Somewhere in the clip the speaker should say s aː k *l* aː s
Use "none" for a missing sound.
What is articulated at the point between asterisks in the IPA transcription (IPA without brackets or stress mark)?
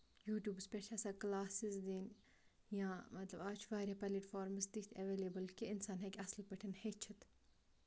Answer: l